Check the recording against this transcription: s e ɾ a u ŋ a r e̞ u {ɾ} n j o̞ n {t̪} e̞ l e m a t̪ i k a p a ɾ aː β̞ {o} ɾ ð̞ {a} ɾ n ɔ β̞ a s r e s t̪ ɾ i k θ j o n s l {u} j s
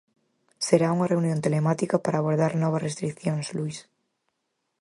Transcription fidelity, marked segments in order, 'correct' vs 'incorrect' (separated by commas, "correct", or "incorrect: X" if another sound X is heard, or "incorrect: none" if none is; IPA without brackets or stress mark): incorrect: none, correct, correct, correct, correct